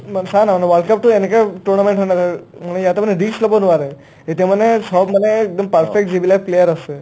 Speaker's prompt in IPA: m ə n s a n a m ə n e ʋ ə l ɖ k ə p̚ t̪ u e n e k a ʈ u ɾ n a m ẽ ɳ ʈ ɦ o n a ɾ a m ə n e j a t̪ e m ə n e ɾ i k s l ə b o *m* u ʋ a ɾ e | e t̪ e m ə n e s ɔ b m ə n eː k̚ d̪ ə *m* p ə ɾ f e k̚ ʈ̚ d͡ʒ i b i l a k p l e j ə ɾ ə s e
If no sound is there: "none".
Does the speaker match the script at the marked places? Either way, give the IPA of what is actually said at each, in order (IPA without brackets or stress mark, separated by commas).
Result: n, m